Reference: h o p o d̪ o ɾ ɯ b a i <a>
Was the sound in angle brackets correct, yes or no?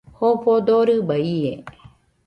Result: no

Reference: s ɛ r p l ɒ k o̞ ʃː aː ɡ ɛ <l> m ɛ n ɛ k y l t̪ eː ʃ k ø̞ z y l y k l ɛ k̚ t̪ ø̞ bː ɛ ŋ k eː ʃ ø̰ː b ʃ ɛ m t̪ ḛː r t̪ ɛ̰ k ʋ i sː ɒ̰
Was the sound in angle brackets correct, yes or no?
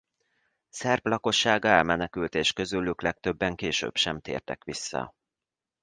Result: yes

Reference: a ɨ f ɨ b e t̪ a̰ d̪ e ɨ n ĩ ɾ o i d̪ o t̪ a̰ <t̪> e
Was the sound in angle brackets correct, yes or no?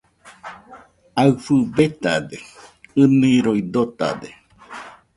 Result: no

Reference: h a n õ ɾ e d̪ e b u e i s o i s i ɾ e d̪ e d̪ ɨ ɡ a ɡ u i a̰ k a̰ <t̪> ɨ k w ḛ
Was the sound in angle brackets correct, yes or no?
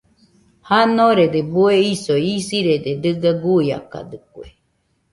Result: no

